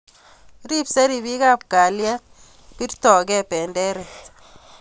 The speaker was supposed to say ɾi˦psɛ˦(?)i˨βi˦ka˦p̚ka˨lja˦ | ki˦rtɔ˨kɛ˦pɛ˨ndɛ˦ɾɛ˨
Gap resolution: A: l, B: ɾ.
B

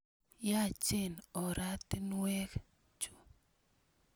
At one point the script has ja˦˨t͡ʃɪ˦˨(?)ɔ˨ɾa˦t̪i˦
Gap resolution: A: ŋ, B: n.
B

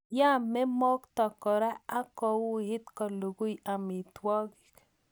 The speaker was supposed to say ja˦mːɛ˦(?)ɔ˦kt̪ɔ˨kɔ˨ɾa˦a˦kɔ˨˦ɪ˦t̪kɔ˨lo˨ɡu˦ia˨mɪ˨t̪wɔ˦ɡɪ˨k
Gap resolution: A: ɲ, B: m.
B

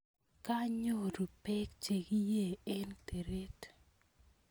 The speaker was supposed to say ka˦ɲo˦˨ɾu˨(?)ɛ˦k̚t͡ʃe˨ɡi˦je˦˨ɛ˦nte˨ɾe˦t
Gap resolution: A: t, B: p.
B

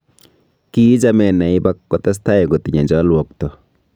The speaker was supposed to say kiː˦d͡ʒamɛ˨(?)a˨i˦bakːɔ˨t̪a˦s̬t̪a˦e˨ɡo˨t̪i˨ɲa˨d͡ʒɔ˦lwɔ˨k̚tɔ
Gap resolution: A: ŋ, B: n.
B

